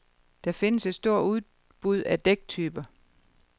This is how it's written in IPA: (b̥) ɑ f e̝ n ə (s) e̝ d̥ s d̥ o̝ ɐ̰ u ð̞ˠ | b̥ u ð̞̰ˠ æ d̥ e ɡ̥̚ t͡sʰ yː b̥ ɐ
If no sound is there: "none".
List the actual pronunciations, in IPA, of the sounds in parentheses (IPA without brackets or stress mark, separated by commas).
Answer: d̥, s